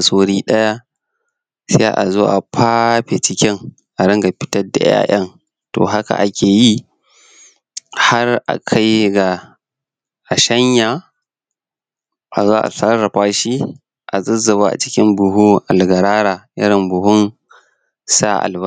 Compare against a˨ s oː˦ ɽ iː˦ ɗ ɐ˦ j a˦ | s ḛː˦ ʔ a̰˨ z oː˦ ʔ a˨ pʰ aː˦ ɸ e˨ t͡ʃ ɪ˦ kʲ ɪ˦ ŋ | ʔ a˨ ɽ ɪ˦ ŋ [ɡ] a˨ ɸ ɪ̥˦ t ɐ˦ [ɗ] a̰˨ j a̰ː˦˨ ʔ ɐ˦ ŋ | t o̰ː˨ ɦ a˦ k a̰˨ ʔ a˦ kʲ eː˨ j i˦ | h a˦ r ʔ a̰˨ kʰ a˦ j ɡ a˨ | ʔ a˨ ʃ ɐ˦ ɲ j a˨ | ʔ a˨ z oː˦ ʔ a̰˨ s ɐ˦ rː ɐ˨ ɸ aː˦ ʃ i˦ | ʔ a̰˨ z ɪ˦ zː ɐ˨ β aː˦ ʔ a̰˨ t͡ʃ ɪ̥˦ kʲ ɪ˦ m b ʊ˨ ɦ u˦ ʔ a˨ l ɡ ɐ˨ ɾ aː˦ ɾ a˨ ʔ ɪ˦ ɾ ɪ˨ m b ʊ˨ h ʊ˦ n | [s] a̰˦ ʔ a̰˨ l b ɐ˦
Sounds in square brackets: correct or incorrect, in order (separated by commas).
correct, incorrect, correct